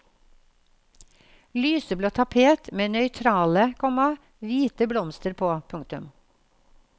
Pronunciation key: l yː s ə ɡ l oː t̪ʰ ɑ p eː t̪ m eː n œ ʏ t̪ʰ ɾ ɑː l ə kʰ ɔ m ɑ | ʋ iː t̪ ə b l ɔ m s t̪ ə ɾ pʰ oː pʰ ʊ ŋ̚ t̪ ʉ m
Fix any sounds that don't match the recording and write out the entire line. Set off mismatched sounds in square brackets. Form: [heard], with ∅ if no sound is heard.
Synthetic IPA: l yː s ə [b] l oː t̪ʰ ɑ [pʰ] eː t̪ m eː n œ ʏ t̪ʰ ɾ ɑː l ə kʰ ɔ m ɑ | ʋ iː t̪ ə b l ɔ m s t̪ ə ɾ pʰ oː pʰ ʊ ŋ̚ t̪ ʉ m